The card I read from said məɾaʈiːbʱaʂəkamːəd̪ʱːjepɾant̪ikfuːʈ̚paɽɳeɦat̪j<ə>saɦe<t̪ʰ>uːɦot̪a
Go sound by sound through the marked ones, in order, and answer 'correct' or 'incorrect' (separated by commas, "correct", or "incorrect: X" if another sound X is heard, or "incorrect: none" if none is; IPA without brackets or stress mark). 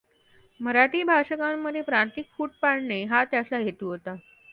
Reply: incorrect: a, incorrect: t̪